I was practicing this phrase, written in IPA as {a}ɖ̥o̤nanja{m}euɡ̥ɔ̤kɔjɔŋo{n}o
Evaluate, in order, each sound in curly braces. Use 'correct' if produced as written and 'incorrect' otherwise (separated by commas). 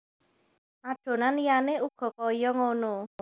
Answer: correct, incorrect, correct